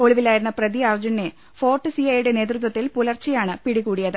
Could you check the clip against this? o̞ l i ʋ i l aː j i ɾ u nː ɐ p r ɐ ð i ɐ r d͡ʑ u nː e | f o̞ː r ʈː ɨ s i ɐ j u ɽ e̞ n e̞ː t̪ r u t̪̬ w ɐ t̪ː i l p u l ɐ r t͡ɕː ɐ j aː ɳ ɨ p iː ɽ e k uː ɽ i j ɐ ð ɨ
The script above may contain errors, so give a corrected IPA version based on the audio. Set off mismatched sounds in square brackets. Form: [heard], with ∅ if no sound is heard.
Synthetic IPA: o̞ [ɭ] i ʋ i l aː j i ɾ u nː ɐ p r ɐ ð i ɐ r d͡ʑ u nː e | f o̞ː r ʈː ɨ s i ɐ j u ɽ e̞ n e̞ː t̪ r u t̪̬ w ɐ t̪ː i l p u l ɐ r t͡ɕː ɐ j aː ɳ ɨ p [i] ɽ [i] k uː ɽ i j ɐ ð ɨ